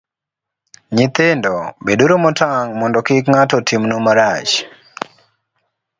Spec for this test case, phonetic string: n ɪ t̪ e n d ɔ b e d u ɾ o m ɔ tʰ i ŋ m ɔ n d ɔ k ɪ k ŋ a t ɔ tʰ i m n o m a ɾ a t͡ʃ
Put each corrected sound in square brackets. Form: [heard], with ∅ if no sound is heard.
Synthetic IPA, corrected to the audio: [ɲ] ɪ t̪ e n d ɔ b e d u ɾ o m ɔ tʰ [a] ŋ m ɔ n d ɔ k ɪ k ŋ a t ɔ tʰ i m n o m a ɾ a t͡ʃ